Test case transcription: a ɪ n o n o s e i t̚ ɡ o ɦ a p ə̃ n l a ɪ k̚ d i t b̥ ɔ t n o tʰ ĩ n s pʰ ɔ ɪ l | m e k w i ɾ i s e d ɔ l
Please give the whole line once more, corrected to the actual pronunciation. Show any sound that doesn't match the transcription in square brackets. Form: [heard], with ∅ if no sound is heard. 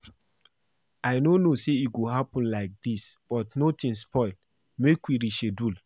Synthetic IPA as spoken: a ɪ n o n o s e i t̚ ɡ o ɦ a p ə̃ n l a ɪ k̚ d i [s] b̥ ɔ t n o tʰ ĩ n s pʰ ɔ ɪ l | m e k w i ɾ i [ʃ] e d [u] l